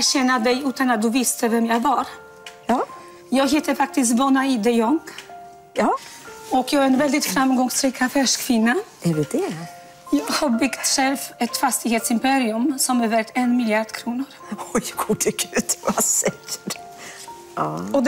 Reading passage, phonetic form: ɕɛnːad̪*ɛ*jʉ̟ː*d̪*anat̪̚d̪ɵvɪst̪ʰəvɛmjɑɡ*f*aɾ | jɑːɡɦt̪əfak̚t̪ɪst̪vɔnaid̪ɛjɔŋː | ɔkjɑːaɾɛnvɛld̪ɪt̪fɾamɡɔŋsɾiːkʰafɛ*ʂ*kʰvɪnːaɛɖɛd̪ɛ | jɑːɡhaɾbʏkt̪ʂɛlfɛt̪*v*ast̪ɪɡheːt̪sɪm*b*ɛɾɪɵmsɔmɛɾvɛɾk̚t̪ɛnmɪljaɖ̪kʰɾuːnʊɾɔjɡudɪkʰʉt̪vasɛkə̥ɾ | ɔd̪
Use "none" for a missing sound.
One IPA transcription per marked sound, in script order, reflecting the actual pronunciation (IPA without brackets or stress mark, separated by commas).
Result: ɛ, t̪, v, ʂ, f, p